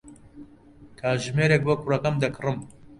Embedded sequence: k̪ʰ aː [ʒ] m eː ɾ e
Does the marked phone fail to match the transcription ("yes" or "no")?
no